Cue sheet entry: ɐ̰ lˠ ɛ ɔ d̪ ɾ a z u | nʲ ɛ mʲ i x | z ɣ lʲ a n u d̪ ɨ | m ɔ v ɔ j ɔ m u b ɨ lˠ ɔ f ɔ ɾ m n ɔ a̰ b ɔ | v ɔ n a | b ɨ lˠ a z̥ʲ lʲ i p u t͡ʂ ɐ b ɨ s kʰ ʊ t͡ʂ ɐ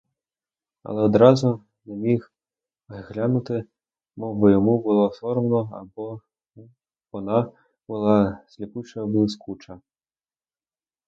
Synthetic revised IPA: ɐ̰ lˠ ɛ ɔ d̪ ɾ a z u | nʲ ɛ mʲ i x | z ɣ lʲ a n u t̪ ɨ | m ɔ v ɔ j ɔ m u b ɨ lˠ ɔ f ɔ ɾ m n ɔ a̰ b ɔ | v ɔ n a | b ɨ lˠ a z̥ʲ lʲ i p u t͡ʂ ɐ b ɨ s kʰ u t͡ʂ ɐ